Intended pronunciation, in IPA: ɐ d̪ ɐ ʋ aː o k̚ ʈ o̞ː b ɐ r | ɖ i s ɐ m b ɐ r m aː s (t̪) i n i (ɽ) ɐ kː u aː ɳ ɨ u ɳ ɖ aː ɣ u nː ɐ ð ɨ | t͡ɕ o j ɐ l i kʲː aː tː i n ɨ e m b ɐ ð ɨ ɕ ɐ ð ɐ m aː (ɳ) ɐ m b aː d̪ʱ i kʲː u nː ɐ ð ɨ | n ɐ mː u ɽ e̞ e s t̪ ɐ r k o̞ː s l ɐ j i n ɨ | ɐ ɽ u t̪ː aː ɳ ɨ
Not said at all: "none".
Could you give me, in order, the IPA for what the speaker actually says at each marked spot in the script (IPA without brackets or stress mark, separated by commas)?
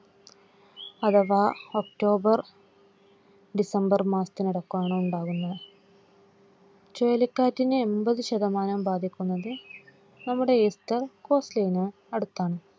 t̪, ɽ, n